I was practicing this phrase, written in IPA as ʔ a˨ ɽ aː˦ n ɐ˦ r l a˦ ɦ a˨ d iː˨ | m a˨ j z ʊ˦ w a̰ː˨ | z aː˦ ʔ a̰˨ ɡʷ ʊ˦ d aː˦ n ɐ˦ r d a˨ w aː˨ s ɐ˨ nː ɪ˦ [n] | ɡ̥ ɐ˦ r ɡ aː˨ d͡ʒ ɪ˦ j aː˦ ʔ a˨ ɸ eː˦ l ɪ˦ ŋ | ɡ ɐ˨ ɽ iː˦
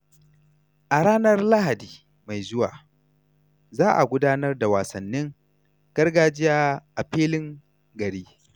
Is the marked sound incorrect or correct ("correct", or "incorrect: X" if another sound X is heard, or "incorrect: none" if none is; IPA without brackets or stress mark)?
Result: incorrect: ŋ